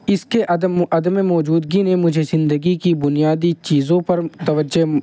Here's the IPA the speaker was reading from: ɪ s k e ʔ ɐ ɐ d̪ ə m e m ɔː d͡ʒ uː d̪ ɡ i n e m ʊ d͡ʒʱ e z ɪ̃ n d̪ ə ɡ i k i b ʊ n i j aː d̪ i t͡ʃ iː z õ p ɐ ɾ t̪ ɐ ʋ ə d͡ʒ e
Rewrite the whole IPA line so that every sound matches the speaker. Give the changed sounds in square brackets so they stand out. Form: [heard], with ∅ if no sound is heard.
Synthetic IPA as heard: ɪ s k e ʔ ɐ ɐ d̪ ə m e m ɔː d͡ʒ uː d̪ ɡ i n e m ʊ d͡ʒʱ e z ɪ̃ n d̪ ə ɡ i k i b ʊ n i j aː d̪ i t͡ʃ iː z õ p ɐ ɾ t̪ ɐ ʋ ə d͡ʒ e

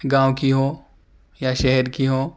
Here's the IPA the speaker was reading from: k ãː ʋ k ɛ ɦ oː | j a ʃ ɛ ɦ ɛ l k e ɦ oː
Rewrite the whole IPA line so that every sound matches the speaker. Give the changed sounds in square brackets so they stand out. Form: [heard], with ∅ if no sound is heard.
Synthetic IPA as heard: [ɡ] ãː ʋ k [i] ɦ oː | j a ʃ ɛ ɦ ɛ [ɾ] k [i] ɦ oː

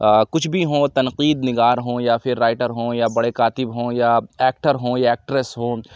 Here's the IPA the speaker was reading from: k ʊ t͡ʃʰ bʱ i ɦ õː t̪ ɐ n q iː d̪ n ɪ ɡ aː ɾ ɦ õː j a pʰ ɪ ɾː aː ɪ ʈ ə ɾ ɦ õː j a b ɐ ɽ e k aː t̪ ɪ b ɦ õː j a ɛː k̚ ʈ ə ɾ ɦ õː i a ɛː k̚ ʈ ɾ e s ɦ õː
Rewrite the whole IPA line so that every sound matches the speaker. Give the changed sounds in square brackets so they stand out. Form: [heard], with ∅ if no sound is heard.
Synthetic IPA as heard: k ʊ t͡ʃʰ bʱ i ɦ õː t̪ ɐ n q iː d̪ n ɪ ɡ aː ɾ ɦ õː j a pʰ ɪ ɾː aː ɪ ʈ ə ɾ ɦ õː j a b ɐ ɽ e k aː t̪ ɪ b ɦ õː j a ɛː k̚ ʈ ə ɾ ɦ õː [j] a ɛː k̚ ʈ ɾ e s ɦ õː

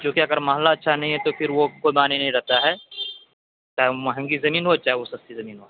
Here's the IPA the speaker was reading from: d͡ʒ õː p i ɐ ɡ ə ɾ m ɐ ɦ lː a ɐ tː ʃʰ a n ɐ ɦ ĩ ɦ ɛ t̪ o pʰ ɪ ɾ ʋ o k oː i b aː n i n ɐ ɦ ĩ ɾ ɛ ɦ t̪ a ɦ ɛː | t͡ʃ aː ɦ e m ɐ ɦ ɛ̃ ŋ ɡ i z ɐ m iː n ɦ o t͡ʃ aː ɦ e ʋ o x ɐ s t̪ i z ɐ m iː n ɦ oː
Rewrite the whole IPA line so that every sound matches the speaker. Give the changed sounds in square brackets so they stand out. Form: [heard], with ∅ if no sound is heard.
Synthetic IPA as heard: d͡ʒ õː [k] i ɐ ɡ ə ɾ m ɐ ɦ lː a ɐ tː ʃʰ a n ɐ ɦ ĩ ɦ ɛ t̪ o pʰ ɪ ɾ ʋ o k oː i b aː n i n ɐ ɦ ĩ ɾ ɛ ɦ t̪ a ɦ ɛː | t͡ʃ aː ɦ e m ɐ ɦ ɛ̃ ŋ ɡ i z ɐ m iː n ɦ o t͡ʃ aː ɦ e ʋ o [s] ɐ s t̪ i z ɐ m iː n ɦ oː

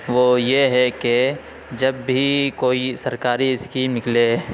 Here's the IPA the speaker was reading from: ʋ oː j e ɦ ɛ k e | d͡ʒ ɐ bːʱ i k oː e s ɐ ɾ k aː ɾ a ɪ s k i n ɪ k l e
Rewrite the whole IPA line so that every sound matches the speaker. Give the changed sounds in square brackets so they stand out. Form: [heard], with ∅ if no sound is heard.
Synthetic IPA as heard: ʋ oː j e ɦ ɛ k e | d͡ʒ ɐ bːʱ i k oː [i] s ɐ ɾ k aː ɾ [i] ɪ s k i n ɪ k l e

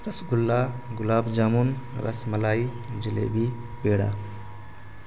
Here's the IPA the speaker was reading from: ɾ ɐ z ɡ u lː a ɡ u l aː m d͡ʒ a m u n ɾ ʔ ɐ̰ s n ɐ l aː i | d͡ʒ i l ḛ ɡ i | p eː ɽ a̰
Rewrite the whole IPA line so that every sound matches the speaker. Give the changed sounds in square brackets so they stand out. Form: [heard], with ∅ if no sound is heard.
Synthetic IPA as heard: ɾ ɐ [s] ɡ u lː a ɡ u l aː [b] d͡ʒ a m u n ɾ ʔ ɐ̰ s [m] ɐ l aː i | d͡ʒ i l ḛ [b] i | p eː ɽ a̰

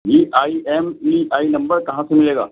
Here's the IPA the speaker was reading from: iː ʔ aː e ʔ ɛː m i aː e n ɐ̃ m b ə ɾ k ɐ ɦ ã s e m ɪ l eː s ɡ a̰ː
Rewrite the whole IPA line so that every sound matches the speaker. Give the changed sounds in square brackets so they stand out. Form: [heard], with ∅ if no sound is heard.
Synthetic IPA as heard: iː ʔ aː [i] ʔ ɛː m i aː [i] n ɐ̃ m b ə ɾ k ɐ ɦ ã s e m ɪ l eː [∅] ɡ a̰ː

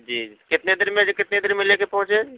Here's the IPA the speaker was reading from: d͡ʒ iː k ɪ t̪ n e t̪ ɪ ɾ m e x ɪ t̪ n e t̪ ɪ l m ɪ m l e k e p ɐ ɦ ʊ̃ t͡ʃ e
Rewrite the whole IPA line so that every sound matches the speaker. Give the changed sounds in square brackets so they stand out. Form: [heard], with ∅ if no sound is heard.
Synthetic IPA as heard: d͡ʒ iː k ɪ t̪ n e [d̪] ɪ ɾ m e [k] ɪ t̪ n e [d̪] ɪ [ɾ] m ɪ [∅] l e k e p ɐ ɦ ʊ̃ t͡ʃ e

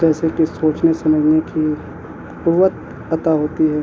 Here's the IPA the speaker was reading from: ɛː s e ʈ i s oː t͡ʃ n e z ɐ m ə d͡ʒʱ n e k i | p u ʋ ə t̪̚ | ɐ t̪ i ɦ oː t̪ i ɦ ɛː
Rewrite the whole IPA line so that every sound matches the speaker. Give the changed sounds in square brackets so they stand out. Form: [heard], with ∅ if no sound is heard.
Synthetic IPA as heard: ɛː s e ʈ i s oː t͡ʃ n e [s] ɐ m ə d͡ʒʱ n e k i | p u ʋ ə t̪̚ | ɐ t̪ [a] ɦ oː t̪ i ɦ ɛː

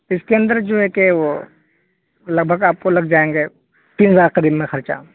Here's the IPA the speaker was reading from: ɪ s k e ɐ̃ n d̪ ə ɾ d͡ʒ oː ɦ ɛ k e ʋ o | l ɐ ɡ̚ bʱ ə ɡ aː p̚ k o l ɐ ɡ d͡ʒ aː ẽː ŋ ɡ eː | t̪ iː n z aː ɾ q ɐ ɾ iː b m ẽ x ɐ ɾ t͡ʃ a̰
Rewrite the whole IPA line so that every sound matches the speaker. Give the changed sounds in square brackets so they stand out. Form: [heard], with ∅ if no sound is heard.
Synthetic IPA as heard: ɪ s k e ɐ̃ n d̪ ə ɾ d͡ʒ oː ɦ ɛ k e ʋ o | l ɐ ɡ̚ bʱ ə ɡ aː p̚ k o l ɐ ɡ d͡ʒ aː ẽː ŋ ɡ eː | t̪ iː n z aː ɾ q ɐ ɾ iː b m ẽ x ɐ ɾ t͡ʃ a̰

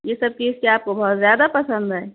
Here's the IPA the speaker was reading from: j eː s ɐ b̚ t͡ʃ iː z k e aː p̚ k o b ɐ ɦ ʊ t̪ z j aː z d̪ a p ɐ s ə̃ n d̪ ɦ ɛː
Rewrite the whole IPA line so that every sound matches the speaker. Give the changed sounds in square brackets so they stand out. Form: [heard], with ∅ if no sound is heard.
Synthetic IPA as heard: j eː s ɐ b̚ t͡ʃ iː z k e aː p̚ k o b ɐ ɦ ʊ t̪ z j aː [∅] d̪ a p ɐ s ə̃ n d̪ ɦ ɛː

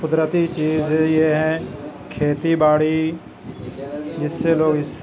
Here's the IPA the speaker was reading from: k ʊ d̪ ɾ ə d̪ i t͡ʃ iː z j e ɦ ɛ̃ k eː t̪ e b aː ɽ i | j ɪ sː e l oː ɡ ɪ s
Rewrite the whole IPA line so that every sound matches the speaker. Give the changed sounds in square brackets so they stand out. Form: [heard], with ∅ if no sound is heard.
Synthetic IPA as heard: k ʊ d̪ ɾ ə [t̪] i t͡ʃ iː z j e ɦ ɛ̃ [kʰ] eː t̪ [i] b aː ɽ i | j ɪ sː e l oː ɡ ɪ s

